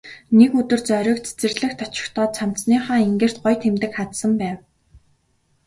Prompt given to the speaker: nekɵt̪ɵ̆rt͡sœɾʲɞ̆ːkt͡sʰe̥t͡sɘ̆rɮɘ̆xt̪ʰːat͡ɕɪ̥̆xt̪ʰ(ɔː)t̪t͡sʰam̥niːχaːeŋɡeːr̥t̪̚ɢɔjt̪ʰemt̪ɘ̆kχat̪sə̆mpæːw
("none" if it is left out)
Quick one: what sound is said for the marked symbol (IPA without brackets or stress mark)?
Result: ɔː